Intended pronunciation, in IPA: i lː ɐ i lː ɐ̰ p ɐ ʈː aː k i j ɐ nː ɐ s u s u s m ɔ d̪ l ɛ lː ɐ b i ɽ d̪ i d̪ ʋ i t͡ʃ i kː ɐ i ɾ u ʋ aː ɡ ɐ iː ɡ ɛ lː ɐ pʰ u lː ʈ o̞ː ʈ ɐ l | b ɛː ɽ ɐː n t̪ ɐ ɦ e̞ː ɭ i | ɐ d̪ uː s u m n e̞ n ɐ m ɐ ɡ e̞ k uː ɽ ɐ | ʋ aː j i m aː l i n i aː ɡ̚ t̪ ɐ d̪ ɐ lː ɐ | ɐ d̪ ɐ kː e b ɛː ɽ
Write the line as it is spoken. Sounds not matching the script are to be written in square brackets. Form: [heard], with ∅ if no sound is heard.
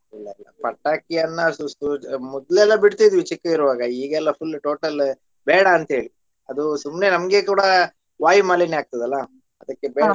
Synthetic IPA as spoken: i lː ɐ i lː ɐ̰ p ɐ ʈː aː k i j ɐ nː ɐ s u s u [∅] m ɔ d̪ l ɛ lː ɐ b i ɽ [t̪] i d̪ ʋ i t͡ʃ i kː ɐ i ɾ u ʋ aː ɡ ɐ iː ɡ ɛ lː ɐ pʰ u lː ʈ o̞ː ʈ ɐ l | b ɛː ɽ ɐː n t̪ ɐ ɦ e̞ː ɭ i | ɐ d̪ [u] s u m n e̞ n ɐ m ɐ ɡ e̞ k uː ɽ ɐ | ʋ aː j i m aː l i n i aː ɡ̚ t̪ ɐ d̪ ɐ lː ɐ | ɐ d̪ ɐ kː e b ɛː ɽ